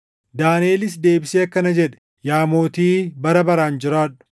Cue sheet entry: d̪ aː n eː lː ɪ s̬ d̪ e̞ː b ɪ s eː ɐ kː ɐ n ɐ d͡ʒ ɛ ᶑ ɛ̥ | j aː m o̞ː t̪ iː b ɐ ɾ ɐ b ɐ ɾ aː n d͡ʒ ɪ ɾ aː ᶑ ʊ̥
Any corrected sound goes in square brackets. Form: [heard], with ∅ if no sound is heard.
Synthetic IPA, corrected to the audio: d̪ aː n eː [l] ɪ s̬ d̪ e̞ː b ɪ s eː ɐ kː ɐ n ɐ d͡ʒ ɛ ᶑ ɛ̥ | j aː m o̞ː t̪ iː b ɐ ɾ ɐ b ɐ ɾ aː n d͡ʒ ɪ ɾ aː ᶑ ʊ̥